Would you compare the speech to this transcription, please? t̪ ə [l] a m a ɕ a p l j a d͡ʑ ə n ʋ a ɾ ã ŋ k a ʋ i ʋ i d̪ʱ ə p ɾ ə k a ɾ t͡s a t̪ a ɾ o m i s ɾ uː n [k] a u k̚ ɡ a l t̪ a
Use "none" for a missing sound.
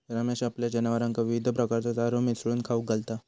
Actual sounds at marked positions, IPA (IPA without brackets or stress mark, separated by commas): ɾ, kʰ